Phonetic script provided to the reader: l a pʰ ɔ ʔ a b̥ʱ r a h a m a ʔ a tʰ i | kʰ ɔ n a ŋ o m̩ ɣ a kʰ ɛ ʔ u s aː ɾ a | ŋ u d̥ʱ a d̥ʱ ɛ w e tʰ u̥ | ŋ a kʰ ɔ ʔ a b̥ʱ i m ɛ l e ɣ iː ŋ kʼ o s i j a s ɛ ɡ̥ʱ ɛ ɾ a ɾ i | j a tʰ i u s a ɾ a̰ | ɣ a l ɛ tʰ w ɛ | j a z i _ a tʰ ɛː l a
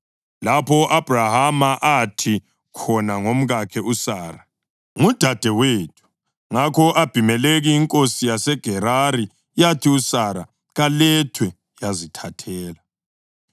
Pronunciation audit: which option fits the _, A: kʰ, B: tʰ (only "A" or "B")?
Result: B